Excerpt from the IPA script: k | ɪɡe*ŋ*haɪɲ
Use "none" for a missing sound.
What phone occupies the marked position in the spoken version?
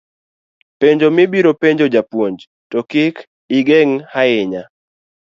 ŋ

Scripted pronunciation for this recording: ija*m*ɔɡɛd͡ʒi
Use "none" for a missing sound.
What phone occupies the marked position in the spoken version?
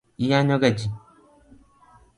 ɲ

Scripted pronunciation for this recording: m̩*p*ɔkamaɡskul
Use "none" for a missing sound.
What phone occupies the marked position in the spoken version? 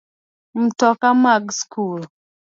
t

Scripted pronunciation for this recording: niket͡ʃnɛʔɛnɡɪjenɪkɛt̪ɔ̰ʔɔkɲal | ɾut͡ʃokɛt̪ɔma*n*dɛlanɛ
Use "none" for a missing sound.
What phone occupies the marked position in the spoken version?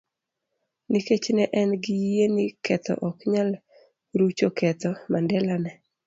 n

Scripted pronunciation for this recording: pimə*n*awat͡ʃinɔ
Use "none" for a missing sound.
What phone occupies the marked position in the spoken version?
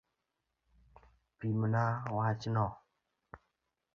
n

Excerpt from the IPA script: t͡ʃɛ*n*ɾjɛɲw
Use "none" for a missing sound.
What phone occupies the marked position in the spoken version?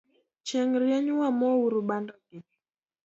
ŋ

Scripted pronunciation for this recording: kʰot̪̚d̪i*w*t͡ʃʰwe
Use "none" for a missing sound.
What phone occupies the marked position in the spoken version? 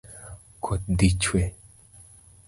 none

